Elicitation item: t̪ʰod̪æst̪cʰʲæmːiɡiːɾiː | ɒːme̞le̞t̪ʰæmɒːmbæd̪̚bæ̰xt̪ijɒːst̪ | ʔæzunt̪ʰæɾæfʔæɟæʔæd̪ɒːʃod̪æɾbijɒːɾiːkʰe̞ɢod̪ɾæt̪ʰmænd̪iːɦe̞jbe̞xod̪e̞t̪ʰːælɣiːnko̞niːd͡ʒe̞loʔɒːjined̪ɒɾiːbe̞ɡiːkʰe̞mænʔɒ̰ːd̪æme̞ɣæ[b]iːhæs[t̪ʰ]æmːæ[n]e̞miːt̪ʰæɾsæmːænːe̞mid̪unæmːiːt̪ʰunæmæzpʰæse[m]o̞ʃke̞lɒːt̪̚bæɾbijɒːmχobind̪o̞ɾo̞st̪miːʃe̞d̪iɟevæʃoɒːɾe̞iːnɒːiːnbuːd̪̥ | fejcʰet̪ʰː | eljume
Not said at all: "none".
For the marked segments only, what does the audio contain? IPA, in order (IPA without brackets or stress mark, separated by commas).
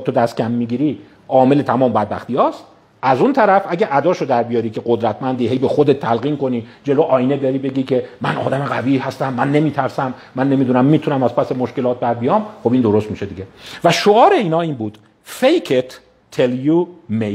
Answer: v, t̪, nː, m